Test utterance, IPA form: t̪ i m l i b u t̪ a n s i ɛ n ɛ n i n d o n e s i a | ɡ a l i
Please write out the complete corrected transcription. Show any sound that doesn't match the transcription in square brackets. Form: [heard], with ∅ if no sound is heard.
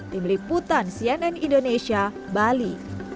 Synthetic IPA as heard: t̪ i m l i [p] u t̪ a n s i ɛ n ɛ n i n d o n e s i a | [b] a l i